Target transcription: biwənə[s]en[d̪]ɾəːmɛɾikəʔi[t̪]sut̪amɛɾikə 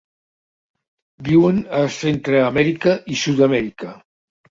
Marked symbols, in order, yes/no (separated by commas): yes, no, no